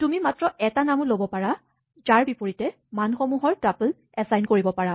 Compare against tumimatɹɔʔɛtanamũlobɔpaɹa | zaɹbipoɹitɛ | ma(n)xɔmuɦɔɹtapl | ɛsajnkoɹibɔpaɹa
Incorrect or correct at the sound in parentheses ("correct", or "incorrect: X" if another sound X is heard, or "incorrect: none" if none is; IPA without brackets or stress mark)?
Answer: correct